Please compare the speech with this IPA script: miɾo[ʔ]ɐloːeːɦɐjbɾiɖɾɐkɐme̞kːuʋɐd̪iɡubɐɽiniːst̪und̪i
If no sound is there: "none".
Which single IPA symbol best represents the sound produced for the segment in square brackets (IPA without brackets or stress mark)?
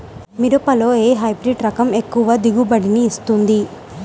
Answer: p